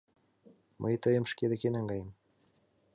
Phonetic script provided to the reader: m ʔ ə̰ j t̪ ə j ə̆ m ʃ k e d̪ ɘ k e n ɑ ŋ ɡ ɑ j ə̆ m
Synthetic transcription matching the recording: m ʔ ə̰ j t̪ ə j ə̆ m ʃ k e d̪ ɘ k e n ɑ ŋ ɡ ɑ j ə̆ m